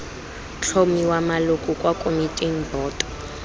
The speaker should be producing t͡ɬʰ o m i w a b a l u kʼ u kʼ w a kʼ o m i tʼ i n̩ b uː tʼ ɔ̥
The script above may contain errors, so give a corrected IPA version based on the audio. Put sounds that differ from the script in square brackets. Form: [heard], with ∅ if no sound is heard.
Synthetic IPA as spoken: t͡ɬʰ o m i w a [m] a l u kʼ u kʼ w a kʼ o m i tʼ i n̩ b [ɔː] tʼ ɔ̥